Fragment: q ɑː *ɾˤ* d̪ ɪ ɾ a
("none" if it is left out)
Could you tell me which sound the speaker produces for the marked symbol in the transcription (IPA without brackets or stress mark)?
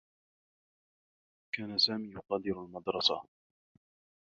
none